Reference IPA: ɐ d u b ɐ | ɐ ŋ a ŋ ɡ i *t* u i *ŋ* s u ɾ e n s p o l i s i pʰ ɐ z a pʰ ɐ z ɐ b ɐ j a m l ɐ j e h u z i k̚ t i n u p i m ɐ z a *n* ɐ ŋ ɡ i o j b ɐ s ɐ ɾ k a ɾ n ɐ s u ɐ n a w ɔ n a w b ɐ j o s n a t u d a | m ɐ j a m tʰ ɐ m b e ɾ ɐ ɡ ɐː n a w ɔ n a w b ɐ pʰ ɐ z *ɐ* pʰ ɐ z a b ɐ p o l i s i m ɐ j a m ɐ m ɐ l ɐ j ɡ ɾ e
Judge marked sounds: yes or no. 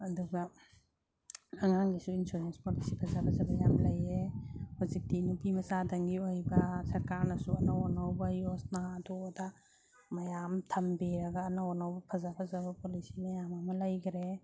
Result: no, no, no, no

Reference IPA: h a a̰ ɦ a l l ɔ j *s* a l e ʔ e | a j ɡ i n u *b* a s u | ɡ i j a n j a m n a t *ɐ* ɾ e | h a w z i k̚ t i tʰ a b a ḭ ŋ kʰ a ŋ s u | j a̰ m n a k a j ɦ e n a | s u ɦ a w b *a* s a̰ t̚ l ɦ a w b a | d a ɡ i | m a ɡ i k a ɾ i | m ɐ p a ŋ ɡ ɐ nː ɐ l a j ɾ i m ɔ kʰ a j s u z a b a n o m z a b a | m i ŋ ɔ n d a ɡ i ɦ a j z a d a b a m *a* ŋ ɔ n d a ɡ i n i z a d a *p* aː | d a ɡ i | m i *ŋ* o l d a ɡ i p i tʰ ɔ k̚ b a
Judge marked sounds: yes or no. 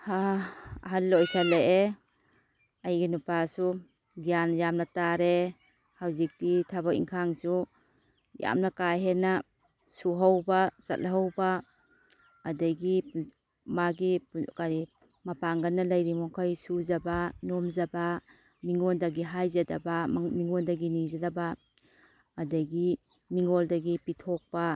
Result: yes, no, no, yes, no, no, yes

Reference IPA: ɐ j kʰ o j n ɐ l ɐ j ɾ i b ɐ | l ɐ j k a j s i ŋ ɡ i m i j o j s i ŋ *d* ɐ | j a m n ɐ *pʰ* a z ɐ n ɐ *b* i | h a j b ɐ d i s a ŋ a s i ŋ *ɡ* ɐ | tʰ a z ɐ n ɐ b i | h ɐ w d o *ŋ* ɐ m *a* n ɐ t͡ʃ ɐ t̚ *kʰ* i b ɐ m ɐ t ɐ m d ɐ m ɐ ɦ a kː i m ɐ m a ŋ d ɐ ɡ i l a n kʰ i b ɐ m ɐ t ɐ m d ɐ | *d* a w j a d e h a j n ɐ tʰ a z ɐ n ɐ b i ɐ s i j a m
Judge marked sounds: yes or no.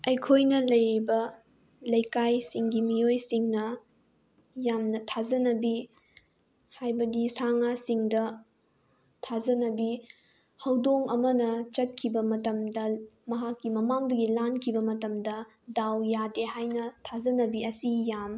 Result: no, no, yes, no, yes, no, yes, yes

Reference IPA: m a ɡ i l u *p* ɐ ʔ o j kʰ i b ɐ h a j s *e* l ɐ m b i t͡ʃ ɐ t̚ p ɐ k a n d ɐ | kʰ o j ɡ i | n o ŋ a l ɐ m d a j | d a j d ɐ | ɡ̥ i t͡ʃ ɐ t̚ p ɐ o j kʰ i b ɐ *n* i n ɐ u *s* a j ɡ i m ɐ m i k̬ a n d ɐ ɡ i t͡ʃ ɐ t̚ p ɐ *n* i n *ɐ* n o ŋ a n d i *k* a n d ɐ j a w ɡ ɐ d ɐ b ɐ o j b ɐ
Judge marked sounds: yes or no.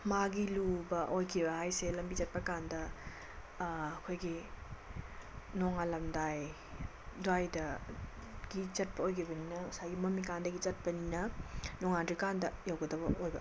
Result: no, yes, yes, yes, yes, yes, yes

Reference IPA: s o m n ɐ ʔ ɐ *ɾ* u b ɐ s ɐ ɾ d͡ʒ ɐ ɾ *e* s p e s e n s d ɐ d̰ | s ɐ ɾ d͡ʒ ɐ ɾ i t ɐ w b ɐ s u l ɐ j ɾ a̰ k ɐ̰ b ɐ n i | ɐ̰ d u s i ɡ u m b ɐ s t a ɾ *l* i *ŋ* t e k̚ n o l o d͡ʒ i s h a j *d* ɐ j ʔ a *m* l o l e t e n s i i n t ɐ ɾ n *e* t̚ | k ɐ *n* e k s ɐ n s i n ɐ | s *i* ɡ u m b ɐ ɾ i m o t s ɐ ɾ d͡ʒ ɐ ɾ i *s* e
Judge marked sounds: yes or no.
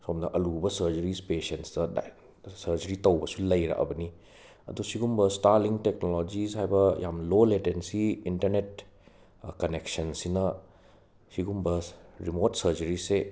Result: no, no, yes, yes, no, yes, yes, yes, yes, yes

